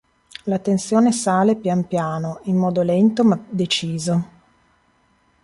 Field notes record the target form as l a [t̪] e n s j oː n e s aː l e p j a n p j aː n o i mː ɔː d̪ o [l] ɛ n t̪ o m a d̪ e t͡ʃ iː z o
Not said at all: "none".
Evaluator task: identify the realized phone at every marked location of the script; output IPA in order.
t̪, l

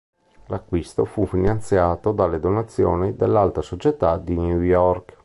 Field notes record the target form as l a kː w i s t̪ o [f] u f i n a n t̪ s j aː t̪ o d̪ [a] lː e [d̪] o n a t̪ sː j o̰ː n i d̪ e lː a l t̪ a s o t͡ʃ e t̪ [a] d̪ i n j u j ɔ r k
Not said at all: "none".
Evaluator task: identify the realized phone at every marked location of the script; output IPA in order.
f, a, d̪, a

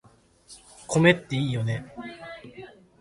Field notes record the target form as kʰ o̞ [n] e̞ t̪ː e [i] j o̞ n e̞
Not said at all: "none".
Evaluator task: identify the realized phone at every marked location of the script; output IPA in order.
m, iː

